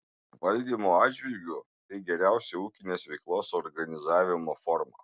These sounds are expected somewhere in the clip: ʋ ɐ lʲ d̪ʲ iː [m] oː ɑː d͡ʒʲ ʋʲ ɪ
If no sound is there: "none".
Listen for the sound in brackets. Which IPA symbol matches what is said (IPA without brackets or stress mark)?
m